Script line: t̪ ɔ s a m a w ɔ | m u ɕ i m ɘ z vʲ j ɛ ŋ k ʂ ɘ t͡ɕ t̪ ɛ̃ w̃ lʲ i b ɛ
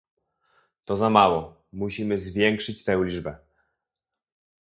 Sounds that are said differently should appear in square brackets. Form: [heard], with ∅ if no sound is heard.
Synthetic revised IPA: t̪ ɔ [z] a m a w ɔ | m u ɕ i m ɘ z vʲ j ɛ ŋ k ʂ ɘ t͡ɕ t̪ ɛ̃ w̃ lʲ i b ɛ